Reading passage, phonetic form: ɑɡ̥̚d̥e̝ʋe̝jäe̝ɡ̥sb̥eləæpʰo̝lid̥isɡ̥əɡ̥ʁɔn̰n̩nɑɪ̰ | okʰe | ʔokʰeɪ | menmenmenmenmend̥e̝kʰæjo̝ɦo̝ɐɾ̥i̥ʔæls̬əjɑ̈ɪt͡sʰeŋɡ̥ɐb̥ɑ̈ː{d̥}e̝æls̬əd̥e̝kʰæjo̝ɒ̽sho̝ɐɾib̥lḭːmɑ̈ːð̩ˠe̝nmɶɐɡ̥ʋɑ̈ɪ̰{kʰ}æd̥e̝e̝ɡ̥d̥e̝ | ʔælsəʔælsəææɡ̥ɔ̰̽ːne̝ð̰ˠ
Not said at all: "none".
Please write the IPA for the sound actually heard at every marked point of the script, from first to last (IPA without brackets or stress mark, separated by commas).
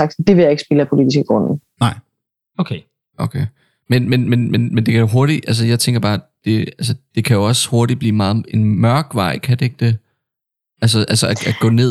d̥, kʰ